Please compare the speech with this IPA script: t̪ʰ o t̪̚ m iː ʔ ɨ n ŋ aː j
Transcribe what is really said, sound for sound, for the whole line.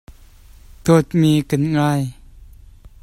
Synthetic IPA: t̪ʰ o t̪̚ m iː k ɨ n ŋ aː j